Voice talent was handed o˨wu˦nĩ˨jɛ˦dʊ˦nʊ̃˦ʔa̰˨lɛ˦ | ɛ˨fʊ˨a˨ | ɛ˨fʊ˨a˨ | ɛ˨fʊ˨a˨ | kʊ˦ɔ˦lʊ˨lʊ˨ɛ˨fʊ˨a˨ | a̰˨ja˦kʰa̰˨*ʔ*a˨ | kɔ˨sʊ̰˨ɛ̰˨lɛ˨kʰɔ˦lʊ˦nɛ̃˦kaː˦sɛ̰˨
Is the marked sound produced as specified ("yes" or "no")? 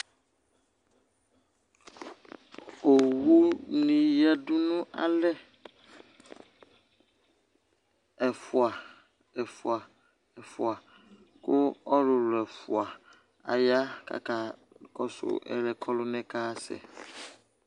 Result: no